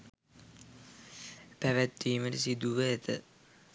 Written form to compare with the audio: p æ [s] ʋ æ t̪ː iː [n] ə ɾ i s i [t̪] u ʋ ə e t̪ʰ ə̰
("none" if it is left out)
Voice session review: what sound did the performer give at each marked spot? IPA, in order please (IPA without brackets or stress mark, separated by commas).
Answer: none, m, d̪